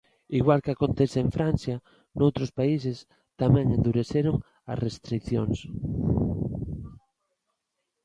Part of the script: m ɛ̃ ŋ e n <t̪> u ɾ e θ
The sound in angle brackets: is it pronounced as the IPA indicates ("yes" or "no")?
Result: no